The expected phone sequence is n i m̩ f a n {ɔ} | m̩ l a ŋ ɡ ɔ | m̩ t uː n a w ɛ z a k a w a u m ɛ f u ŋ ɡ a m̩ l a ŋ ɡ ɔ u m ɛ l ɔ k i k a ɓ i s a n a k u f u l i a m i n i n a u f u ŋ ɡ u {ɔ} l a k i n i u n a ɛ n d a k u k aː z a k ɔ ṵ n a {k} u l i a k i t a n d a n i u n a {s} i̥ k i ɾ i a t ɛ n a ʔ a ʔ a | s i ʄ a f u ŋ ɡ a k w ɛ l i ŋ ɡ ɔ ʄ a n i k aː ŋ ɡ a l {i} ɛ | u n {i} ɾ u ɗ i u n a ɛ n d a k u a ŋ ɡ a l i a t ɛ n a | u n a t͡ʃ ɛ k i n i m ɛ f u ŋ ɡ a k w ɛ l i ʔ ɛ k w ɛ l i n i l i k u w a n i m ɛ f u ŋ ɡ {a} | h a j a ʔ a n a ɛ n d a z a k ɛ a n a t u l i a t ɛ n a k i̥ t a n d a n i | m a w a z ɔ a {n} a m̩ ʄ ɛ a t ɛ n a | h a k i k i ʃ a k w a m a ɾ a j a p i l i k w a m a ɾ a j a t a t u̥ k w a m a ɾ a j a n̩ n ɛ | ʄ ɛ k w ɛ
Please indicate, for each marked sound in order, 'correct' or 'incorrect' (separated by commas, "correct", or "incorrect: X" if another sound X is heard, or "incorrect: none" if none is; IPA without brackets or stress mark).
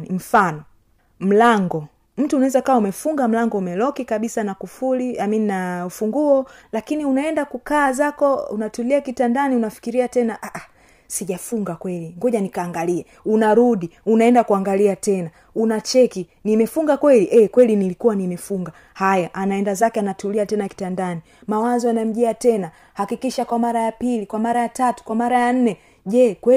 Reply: correct, correct, incorrect: t, incorrect: f, correct, incorrect: a, correct, correct